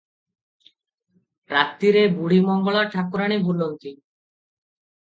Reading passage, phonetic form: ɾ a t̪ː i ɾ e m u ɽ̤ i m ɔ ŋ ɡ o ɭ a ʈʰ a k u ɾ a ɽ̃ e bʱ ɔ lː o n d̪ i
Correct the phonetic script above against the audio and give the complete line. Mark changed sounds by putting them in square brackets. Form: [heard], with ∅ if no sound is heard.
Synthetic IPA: ɾ a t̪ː i ɾ e [b] u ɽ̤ i m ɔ ŋ ɡ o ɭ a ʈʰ a k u ɾ a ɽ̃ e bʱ [u] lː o n [t̪] i